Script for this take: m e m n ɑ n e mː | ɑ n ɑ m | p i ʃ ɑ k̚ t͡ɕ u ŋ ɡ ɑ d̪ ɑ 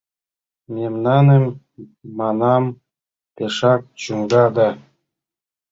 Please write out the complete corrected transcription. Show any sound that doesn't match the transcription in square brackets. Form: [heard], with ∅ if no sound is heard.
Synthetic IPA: m e m n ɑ n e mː | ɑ n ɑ m | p [e] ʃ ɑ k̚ t͡ɕ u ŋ ɡ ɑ d̪ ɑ